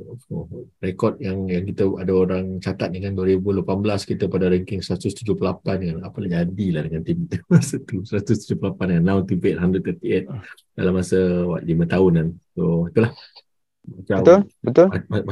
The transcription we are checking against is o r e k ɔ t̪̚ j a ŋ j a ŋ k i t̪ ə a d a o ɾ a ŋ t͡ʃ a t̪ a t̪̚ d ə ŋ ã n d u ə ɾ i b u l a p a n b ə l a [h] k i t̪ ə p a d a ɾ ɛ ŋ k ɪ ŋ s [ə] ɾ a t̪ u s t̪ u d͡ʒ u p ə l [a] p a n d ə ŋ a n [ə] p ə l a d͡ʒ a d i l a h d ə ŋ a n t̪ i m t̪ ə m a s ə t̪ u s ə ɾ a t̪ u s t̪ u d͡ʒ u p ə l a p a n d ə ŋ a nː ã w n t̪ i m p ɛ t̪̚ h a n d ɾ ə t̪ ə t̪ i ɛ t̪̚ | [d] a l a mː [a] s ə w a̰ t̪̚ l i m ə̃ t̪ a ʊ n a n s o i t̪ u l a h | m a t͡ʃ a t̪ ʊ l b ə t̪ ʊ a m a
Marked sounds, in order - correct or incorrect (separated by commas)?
incorrect, correct, correct, incorrect, correct, correct